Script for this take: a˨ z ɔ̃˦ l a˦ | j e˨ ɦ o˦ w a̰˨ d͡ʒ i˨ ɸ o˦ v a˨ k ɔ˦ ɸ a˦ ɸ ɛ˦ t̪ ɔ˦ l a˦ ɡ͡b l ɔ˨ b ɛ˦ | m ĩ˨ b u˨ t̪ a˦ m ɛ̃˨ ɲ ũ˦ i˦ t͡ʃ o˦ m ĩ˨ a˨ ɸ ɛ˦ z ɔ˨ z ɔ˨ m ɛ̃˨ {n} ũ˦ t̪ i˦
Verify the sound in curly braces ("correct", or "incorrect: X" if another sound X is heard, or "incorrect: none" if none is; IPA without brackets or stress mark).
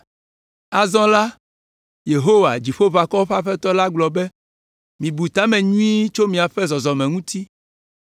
incorrect: ŋ